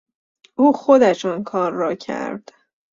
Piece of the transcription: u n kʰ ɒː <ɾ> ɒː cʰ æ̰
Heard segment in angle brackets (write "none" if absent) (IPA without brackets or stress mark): ɾː